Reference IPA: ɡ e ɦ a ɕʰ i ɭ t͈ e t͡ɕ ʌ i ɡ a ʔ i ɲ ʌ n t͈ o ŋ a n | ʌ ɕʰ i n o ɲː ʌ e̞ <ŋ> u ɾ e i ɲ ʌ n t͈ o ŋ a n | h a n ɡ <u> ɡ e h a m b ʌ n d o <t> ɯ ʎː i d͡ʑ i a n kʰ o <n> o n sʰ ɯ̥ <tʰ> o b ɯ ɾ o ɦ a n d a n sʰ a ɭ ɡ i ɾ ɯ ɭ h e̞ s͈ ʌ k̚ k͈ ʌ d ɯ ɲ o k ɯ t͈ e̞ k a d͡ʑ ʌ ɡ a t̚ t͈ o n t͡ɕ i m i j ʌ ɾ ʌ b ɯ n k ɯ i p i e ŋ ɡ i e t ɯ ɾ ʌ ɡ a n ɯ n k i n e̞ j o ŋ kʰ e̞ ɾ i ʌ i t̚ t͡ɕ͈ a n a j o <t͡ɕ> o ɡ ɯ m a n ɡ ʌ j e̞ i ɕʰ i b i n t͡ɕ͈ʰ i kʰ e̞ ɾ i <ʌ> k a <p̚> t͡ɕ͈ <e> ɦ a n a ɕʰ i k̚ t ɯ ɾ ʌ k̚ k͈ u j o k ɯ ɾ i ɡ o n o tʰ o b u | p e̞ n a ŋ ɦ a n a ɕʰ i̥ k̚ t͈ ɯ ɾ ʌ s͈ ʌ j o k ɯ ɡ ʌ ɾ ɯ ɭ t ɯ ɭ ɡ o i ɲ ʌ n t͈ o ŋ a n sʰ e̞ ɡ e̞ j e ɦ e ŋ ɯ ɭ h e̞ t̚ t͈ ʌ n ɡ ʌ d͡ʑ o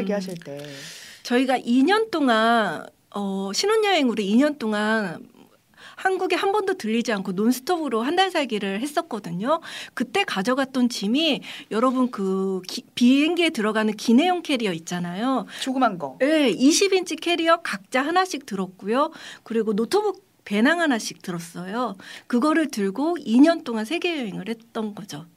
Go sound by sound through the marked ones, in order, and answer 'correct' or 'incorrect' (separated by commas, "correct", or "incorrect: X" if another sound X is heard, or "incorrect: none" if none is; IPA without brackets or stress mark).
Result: correct, correct, correct, correct, correct, correct, correct, incorrect: k̚, incorrect: a